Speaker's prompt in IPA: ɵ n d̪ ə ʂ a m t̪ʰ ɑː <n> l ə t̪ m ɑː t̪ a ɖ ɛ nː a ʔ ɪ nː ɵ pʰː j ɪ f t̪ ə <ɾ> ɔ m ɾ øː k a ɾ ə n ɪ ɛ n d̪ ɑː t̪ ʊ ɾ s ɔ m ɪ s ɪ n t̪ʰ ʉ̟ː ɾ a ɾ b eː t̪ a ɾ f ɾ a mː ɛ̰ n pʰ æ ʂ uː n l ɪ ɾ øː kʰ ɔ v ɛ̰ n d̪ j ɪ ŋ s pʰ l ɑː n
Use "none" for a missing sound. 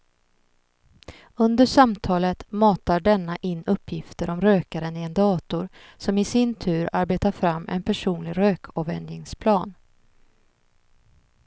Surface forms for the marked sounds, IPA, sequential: none, ɾ

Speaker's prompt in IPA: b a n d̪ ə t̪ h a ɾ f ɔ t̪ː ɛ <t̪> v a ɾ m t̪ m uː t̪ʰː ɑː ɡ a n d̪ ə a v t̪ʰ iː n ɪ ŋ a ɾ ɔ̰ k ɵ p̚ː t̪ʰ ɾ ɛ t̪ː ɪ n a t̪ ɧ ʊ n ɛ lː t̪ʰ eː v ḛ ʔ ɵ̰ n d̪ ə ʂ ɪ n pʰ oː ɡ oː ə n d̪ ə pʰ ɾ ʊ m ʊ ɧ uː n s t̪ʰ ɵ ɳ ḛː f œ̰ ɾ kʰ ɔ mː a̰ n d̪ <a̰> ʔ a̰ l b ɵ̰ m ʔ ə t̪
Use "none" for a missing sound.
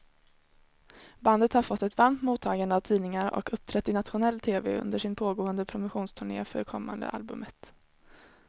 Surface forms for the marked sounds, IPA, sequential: t̪, ə̰

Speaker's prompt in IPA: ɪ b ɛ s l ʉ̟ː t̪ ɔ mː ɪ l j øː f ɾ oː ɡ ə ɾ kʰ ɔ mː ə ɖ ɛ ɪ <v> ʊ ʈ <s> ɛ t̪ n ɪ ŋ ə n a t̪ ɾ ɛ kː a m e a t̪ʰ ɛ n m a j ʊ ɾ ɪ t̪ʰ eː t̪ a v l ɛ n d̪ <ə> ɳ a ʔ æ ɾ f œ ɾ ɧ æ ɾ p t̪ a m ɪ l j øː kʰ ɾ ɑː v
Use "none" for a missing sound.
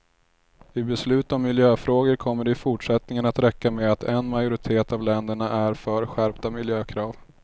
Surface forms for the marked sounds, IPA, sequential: f, ʂ, ə

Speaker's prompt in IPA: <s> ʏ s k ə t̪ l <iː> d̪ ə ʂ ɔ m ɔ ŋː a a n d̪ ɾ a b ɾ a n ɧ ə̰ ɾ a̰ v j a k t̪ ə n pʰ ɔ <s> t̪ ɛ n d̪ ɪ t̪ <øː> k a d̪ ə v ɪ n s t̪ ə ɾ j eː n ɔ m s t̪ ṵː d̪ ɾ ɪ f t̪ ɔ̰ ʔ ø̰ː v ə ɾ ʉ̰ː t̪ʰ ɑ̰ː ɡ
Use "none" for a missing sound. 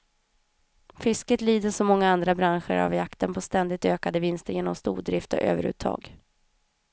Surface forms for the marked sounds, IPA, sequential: f, iː, s, øː

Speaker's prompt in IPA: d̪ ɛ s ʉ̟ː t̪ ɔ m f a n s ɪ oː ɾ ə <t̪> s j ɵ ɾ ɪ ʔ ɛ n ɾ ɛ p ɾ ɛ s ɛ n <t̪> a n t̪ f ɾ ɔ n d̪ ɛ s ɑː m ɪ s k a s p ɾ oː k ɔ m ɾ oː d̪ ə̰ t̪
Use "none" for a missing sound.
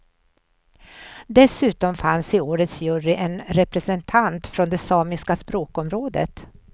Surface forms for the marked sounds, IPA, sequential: t̪, t̪ʰ

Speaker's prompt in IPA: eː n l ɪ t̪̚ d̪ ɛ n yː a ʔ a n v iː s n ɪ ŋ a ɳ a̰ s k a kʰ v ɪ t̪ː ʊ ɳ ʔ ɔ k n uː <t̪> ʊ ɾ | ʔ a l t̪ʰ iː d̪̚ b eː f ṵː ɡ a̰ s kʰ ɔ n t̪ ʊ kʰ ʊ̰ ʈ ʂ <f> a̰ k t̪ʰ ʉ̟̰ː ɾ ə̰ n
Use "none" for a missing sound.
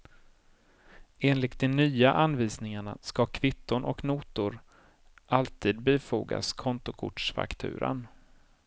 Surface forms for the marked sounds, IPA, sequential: t̪, f

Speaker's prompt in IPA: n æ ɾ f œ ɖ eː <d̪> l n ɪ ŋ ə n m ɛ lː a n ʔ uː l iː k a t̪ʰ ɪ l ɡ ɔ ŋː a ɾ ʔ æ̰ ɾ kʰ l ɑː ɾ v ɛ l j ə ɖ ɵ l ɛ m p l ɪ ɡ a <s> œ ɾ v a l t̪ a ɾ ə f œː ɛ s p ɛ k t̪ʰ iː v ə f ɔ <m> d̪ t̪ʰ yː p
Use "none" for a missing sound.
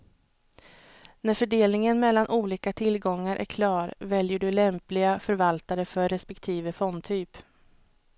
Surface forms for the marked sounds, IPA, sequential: none, f, n

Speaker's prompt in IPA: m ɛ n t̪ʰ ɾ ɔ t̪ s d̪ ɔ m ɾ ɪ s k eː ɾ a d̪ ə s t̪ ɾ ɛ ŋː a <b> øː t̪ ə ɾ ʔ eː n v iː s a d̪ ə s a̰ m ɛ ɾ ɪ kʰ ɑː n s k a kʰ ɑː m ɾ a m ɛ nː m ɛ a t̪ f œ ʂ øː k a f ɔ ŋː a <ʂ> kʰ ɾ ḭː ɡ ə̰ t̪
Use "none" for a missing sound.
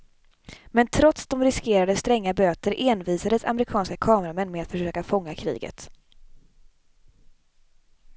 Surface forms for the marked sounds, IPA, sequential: b, none

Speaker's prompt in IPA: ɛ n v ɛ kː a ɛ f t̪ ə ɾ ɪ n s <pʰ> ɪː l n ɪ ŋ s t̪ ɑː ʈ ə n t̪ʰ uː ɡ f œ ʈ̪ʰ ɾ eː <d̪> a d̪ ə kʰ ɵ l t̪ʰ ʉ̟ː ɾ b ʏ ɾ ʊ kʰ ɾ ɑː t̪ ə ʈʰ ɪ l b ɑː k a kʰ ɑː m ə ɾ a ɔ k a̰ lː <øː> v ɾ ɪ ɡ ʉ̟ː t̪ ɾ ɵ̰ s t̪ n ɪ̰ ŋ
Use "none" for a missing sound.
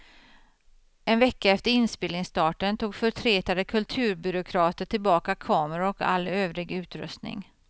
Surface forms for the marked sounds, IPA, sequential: p, t̪, øː

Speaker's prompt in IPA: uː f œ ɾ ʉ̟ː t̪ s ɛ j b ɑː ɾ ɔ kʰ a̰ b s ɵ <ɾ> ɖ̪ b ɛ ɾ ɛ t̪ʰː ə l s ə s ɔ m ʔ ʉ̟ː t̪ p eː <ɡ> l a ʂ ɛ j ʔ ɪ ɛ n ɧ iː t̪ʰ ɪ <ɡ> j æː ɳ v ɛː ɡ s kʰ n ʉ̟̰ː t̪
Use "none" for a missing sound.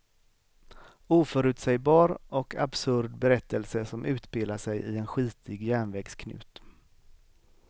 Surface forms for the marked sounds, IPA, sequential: ɾ, none, ɡ

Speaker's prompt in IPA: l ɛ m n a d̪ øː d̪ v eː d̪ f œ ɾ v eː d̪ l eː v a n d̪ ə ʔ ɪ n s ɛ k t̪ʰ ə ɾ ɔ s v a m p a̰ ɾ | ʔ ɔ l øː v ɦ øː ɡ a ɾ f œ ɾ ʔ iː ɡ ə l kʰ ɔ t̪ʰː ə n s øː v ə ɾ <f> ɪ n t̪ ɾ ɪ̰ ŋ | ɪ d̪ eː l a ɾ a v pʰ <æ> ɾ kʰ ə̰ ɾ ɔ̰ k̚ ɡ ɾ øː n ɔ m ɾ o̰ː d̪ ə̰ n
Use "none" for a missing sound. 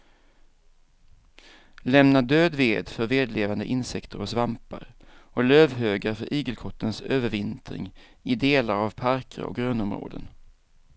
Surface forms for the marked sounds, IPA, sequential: v, a

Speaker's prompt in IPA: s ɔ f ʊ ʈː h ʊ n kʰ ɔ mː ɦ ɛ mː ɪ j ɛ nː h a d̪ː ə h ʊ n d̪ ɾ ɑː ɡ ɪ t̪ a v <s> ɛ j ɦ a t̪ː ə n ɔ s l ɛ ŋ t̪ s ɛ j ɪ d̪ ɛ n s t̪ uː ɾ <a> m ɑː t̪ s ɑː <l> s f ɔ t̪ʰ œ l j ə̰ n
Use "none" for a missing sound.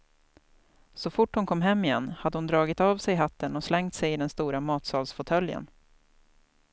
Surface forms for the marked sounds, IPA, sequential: s, a, l

